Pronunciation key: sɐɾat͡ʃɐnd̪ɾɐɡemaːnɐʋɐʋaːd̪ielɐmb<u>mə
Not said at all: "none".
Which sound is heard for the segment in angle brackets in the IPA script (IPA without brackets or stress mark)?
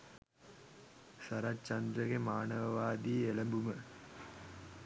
u